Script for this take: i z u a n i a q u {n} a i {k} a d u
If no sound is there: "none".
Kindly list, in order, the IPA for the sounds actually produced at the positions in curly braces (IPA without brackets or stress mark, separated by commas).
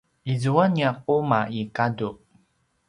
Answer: m, k